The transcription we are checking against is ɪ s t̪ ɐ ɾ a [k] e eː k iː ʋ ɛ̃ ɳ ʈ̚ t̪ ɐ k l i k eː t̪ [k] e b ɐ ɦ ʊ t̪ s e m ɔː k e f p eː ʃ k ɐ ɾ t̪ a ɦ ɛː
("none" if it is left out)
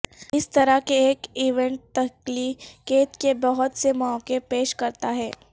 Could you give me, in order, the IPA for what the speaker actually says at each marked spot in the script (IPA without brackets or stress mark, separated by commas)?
k, k